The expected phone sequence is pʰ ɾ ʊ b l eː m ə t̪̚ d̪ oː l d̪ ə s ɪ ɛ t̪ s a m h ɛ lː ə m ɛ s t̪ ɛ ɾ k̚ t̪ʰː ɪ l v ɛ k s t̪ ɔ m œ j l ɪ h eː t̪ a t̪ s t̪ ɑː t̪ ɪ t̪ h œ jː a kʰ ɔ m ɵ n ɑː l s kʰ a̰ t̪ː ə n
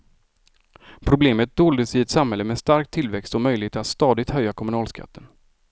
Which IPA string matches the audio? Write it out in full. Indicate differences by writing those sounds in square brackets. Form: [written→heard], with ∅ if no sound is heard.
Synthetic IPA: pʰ ɾ ʊ b l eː m ə t̪̚ d̪ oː l d̪ ə s ɪ ɛ t̪ s a m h ɛ lː ə m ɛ s t̪ [ɛ→a] ɾ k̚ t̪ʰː ɪ l v ɛ k s t̪ ɔ m œ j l ɪ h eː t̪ a t̪ s t̪ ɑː [t̪→d̪] ɪ t̪ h œ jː a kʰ ɔ m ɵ n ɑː l s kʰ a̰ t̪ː ə n